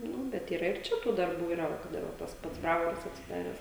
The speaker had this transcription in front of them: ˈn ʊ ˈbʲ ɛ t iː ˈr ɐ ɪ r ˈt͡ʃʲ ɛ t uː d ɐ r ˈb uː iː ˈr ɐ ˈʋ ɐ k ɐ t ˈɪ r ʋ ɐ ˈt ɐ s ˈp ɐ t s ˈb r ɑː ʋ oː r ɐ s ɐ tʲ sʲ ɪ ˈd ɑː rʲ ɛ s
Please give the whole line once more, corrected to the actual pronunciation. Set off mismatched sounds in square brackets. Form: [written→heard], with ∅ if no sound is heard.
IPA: ˈn ʊ ˈbʲ ɛ t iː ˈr ɐ ɪ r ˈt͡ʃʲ ɛ t uː d ɐ r ˈb uː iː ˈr ɐ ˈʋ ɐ k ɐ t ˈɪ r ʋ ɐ ˈt ɐ s ˈp ɐ t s ˈb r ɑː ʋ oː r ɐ s ɐ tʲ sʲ ɪ ˈd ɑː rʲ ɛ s